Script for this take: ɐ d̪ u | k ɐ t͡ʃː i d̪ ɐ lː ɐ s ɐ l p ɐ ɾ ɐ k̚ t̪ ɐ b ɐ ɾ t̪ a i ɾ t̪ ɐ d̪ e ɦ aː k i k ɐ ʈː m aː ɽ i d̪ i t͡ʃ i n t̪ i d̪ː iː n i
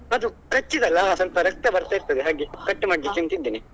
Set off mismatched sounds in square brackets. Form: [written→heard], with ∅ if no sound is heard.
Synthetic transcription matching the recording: ɐ d̪ u | k ɐ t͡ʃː i d̪ ɐ lː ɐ s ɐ l p ɐ ɾ ɐ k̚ t̪ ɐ b ɐ ɾ t̪ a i ɾ t̪ ɐ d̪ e ɦ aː [k→ɡ] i k ɐ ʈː m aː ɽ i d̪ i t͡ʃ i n t̪ i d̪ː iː n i